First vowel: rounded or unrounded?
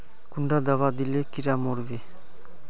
rounded